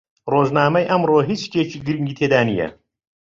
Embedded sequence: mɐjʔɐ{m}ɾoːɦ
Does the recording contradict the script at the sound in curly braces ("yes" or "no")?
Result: no